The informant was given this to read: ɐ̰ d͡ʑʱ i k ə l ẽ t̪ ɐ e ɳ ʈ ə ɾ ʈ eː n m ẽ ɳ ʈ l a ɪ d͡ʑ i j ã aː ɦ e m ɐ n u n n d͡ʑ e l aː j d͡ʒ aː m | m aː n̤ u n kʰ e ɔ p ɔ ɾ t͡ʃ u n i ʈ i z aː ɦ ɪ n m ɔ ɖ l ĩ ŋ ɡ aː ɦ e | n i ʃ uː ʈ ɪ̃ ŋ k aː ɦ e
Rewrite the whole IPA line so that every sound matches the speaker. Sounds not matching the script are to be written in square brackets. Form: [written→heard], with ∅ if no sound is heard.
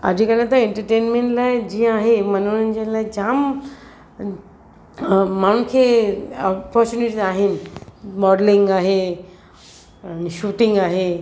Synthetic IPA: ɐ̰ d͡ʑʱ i k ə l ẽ t̪ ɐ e ɳ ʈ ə ɾ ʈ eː n m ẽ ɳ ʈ l a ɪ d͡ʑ i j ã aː ɦ e m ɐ n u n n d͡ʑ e l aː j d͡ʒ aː m | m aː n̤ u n kʰ e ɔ p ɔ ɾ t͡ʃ u n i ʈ i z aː ɦ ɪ n m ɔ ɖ l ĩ ŋ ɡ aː ɦ e | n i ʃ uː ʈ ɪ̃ ŋ [k→ɡ] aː ɦ e